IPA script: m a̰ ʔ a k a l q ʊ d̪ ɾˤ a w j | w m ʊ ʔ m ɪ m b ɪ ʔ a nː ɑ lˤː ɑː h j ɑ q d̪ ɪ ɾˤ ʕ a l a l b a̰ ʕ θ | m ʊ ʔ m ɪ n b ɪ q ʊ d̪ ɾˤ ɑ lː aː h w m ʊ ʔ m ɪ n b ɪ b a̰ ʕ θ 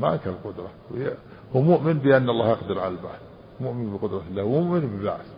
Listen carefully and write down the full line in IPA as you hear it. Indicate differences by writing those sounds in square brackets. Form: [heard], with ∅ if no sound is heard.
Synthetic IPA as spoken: m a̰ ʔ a k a l q ʊ d̪ ɾˤ [ɑ] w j | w m ʊ ʔ m ɪ [n] b ɪ ʔ a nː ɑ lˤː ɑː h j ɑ q d̪ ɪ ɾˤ ʕ a l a l b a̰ ʕ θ | m ʊ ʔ m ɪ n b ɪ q ʊ d̪ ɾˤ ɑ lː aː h w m ʊ ʔ m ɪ n b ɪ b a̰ ʕ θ